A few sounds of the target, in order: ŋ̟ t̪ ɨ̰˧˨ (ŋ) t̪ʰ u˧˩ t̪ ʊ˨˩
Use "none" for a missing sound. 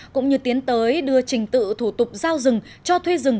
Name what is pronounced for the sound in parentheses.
none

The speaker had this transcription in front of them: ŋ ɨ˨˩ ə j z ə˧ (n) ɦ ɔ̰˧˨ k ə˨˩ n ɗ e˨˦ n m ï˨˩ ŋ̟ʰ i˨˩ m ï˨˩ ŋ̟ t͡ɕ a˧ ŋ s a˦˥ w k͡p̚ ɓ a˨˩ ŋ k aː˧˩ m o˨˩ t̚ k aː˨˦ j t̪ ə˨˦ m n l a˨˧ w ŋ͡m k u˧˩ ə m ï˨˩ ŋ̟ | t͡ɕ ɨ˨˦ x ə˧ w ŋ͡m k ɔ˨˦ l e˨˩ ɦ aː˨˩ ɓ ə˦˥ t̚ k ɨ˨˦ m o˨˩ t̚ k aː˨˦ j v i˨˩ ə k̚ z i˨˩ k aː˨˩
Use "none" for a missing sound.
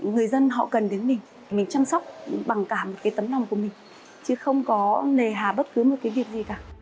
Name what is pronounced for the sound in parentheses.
n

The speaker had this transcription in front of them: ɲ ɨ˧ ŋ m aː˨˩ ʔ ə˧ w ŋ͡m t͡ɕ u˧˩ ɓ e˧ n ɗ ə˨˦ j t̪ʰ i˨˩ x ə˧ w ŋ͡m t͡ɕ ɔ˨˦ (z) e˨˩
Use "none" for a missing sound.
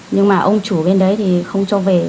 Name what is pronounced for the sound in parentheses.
v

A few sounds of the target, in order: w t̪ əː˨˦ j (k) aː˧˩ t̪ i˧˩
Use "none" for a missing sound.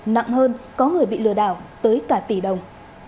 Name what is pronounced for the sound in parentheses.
k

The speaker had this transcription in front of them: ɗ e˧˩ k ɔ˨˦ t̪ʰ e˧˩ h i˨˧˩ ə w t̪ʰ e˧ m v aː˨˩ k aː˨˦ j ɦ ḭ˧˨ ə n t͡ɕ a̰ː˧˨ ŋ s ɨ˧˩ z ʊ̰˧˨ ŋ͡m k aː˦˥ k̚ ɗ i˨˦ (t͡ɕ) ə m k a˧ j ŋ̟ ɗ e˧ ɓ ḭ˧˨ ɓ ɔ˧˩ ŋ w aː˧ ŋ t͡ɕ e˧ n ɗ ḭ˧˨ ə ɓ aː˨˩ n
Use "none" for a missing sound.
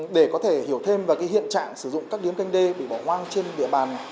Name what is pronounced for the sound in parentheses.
none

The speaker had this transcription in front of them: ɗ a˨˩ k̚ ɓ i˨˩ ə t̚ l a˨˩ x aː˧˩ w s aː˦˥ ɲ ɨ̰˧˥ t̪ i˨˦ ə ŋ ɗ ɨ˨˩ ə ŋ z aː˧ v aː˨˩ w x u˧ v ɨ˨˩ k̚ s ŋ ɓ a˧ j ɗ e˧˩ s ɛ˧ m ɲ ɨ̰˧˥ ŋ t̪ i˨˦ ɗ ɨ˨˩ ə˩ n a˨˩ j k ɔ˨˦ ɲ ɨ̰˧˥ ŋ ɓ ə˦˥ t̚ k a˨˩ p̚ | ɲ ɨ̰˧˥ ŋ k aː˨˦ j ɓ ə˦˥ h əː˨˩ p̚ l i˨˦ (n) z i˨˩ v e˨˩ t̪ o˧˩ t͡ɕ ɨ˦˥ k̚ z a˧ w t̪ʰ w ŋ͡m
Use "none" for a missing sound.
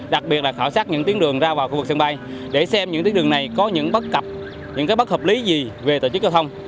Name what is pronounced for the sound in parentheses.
none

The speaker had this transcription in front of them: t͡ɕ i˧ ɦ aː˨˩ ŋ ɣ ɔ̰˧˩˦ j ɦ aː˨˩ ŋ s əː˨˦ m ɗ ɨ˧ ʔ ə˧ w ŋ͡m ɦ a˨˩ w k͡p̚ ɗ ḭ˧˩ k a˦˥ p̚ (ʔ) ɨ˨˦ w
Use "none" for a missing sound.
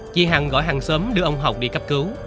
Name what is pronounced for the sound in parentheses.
k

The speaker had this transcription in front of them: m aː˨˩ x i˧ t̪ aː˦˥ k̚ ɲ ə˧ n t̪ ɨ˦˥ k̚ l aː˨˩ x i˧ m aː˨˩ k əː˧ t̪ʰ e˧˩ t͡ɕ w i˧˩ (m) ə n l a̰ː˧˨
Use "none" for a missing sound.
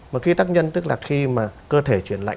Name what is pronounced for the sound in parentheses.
none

